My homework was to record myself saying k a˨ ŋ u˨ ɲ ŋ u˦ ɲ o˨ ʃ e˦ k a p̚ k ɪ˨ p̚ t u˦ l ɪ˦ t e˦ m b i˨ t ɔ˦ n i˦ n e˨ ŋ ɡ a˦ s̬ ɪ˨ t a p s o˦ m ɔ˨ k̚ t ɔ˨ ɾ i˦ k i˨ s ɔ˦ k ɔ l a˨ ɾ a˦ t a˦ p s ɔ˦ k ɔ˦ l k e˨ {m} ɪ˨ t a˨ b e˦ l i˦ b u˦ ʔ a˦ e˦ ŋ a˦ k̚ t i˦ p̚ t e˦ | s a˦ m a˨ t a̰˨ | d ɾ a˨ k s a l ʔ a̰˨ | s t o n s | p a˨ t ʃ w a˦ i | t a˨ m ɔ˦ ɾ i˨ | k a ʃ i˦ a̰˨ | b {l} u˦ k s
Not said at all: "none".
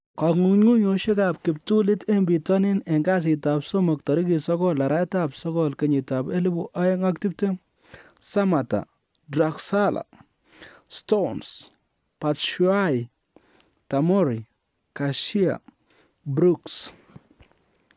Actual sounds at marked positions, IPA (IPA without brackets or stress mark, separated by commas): ɲ, ɾ